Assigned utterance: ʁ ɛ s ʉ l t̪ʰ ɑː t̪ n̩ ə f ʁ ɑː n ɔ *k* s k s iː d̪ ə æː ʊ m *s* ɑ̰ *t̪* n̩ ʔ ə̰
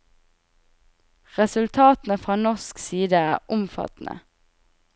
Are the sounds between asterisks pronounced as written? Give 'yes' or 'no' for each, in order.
no, no, yes

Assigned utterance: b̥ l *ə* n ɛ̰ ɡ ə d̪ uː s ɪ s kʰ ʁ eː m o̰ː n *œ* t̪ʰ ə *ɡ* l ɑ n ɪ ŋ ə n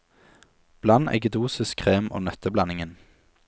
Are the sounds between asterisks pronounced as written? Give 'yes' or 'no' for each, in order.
no, yes, no

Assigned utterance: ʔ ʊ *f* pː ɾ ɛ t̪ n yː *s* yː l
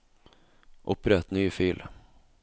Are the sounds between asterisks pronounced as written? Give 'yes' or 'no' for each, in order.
no, no

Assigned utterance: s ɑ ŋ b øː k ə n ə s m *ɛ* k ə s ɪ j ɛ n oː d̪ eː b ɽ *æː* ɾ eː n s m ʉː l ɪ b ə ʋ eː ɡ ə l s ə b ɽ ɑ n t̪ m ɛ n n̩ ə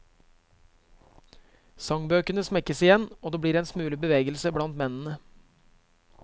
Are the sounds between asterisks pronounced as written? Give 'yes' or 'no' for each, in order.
yes, no

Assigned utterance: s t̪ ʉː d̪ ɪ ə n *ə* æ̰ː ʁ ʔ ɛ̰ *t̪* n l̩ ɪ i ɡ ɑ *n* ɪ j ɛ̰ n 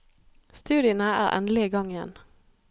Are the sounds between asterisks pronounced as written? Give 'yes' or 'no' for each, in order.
yes, no, no

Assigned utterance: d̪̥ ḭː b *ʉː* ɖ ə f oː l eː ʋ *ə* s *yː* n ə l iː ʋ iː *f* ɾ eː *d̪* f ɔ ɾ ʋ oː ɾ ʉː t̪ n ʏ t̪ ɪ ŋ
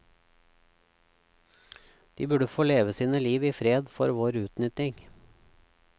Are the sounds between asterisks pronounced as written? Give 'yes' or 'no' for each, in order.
no, yes, no, yes, yes

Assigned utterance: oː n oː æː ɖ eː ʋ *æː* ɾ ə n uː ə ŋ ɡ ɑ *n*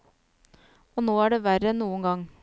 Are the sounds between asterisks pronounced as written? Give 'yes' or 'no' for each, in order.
no, no

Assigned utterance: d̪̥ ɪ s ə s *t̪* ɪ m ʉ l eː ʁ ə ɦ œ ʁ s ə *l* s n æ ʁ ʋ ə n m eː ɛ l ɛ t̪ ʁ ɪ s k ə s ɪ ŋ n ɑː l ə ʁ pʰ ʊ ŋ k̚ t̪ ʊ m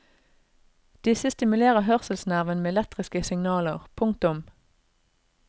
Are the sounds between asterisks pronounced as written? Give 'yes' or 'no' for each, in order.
yes, yes

